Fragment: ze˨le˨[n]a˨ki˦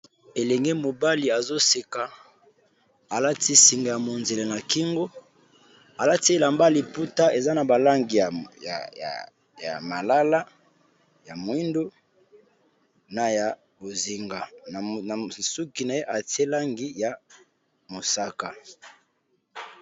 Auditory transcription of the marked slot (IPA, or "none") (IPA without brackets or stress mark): n